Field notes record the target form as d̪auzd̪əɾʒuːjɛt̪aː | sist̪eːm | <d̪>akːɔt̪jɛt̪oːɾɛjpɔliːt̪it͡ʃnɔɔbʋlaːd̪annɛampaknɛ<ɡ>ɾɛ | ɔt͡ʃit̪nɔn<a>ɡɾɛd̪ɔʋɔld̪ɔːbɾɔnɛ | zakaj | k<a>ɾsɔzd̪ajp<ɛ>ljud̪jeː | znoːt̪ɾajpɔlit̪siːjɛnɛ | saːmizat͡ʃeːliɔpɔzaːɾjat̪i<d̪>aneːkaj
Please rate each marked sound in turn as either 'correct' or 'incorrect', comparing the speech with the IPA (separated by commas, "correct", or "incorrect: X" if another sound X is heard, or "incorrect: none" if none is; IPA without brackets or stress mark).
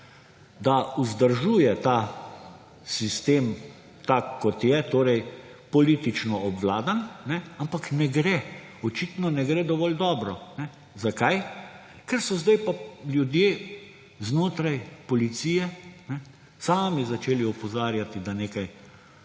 incorrect: t̪, correct, incorrect: ɛ, incorrect: ɛ, incorrect: a, correct